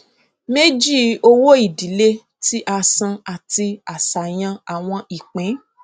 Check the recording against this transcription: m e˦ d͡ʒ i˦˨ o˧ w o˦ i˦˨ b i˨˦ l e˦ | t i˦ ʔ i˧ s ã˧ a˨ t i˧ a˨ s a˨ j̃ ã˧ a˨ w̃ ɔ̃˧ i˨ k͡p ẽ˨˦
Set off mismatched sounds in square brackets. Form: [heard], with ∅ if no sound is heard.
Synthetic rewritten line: m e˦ d͡ʒ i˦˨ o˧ w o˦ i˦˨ [d] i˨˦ l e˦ | t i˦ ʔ [a˧] s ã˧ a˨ t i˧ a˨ s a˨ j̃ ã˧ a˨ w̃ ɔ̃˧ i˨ k͡p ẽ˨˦

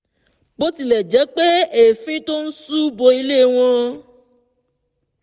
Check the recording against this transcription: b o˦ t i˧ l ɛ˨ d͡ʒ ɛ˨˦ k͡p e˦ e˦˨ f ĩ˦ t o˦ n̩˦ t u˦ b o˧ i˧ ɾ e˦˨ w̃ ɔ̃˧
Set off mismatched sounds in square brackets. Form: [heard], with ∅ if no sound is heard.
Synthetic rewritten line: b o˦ t i˧ l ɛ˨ d͡ʒ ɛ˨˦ k͡p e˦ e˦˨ f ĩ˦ t o˦ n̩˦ [s] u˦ b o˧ i˧ [l] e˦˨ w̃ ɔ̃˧

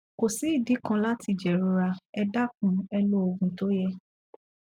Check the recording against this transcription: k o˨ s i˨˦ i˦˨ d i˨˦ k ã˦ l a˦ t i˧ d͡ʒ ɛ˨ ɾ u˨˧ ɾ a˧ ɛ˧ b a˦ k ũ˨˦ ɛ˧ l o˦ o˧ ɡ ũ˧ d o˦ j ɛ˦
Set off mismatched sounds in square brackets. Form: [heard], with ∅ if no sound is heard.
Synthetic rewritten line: k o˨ s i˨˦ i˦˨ d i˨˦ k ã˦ l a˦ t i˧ d͡ʒ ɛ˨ ɾ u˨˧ ɾ a˧ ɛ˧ [d] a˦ k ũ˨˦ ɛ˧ l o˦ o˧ ɡ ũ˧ [t] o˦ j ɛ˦

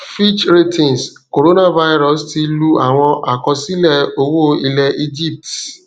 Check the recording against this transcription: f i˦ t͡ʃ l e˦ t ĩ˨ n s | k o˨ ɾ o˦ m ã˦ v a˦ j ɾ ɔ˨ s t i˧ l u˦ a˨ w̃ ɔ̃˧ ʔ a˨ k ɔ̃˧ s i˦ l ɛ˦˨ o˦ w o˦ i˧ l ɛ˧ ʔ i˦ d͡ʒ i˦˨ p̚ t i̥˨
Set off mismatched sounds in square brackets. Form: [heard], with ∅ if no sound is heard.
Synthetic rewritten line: f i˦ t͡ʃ [ɾ] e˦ t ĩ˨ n s | k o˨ ɾ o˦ [n] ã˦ v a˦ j ɾ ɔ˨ s t i˧ l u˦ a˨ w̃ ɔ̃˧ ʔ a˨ k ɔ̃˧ s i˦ l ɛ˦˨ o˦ w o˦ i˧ l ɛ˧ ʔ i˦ d͡ʒ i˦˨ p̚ t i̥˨

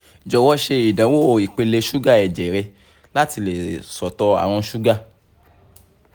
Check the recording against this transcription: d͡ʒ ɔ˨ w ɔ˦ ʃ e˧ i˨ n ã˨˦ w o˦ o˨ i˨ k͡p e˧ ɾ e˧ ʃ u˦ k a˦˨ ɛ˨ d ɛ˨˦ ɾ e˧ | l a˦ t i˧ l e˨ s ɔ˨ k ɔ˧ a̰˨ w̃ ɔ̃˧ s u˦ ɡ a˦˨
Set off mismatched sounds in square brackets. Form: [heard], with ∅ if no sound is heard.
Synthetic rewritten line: d͡ʒ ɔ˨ w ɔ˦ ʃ e˧ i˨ [d] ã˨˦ w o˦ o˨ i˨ k͡p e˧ [l] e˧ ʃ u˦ [ɡ] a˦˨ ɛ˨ [d͡ʒ] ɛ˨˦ ɾ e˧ | l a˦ t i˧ l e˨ s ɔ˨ [t] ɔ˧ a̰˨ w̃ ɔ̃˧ [ʃ] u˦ ɡ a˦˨

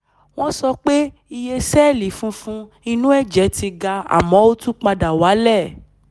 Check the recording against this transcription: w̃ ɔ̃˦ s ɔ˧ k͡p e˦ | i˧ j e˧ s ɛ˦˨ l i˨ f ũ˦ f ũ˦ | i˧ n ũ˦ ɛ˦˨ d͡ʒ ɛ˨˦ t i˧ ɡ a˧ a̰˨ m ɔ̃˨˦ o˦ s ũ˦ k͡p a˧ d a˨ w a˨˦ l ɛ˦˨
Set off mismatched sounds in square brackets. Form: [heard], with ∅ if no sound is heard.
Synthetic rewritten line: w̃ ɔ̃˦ s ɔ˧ k͡p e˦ | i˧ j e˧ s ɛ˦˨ l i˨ f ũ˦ f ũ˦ | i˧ n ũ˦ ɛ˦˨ d͡ʒ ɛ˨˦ t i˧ ɡ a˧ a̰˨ m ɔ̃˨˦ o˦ [t] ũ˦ k͡p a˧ d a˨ w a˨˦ l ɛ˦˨

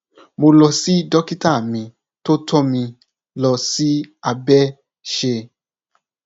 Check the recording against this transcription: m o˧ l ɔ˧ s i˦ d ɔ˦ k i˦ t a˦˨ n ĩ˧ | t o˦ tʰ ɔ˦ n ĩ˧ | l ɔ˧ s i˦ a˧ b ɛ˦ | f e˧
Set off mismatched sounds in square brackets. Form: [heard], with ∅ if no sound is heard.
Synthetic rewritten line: m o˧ l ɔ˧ s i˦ d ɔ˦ k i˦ t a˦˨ [m] ĩ˧ | t o˦ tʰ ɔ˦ [m] ĩ˧ | l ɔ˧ s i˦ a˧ b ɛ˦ | [ʃ] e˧

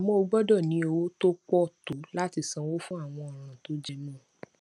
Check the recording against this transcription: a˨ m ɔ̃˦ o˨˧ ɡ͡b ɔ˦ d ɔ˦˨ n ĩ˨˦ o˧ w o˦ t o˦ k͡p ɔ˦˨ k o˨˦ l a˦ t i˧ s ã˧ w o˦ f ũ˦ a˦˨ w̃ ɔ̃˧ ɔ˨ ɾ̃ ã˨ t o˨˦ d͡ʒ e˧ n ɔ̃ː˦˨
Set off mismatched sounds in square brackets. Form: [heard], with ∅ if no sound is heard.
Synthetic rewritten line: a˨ m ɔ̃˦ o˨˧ ɡ͡b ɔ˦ d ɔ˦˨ n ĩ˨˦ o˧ w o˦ t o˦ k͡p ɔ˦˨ [t] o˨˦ l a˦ t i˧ s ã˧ w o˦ f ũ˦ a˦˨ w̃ ɔ̃˧ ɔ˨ ɾ̃ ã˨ t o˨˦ d͡ʒ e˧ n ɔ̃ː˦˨

